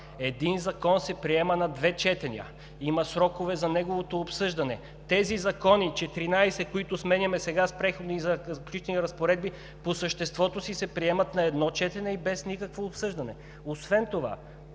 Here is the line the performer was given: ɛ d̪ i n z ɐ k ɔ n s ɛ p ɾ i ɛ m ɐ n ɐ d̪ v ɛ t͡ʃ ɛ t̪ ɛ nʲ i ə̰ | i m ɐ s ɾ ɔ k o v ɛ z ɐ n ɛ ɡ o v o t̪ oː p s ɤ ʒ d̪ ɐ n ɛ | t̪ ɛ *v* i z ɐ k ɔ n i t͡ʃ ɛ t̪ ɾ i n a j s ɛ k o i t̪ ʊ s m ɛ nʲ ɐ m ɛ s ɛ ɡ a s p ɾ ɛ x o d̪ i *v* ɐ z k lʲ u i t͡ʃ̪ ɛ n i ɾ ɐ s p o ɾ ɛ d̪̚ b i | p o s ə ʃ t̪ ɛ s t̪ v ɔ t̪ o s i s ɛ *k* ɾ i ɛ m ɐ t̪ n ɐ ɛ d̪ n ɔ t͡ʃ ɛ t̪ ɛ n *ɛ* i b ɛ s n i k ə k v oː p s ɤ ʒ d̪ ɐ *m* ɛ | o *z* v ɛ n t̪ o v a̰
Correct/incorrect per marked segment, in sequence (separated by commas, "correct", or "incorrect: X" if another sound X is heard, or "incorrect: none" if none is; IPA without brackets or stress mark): incorrect: z, incorrect: z, incorrect: p, correct, incorrect: n, incorrect: s